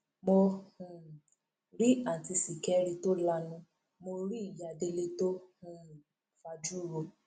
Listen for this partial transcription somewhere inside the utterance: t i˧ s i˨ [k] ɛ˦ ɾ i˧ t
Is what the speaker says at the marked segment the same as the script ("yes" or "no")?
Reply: yes